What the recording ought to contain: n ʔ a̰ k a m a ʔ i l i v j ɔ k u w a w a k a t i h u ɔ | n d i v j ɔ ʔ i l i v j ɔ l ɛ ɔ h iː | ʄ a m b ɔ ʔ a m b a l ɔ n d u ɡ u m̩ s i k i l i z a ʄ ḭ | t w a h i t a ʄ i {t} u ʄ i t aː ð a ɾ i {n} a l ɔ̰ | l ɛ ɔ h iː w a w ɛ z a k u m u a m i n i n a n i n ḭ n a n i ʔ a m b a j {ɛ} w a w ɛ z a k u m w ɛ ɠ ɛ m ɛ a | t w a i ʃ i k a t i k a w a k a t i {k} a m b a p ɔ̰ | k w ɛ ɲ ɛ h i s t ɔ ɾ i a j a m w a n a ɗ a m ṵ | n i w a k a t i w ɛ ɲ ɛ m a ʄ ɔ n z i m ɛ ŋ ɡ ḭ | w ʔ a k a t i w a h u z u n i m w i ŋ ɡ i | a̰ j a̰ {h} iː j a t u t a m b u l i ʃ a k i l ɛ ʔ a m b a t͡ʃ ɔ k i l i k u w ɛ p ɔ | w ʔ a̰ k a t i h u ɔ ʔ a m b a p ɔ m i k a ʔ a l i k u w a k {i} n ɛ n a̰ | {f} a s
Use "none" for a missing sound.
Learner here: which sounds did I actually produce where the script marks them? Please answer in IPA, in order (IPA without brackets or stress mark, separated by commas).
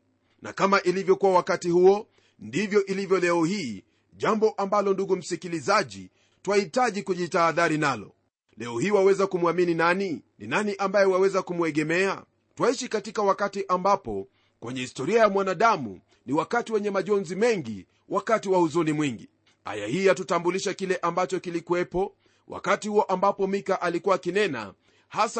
k, n, ɛ, ʔ, h, i, h